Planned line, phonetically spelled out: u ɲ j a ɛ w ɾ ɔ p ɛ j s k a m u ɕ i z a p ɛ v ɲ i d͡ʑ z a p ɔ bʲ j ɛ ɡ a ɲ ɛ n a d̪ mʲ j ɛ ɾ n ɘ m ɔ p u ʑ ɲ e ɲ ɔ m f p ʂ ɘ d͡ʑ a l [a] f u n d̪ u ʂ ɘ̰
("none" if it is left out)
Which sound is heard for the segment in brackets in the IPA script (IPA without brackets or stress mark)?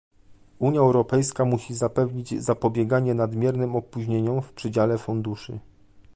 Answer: ɛ